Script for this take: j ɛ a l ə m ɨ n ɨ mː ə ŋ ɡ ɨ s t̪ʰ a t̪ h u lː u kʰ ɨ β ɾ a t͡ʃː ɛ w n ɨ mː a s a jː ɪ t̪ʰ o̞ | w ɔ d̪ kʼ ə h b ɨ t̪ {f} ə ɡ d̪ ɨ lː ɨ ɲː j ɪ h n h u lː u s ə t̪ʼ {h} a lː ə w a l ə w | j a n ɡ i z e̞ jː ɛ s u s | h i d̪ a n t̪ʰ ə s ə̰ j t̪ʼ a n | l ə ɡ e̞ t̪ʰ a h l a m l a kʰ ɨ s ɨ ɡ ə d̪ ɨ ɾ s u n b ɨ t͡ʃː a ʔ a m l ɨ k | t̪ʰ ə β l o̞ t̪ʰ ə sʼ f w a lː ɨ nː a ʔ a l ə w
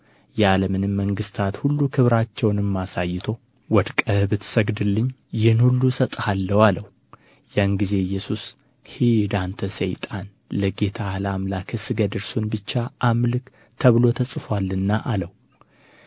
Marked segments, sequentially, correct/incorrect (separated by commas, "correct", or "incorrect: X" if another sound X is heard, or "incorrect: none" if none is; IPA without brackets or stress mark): incorrect: s, correct